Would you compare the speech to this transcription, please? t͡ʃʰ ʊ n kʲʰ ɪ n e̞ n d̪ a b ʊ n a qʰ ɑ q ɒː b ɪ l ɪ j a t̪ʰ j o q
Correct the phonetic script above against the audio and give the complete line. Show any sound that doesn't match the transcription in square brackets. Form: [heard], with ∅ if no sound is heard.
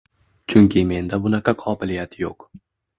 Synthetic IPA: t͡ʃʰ ʊ [ŋ] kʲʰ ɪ [m] e̞ n d̪ a b ʊ n a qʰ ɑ [qʰ] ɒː b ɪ l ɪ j a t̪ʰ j o q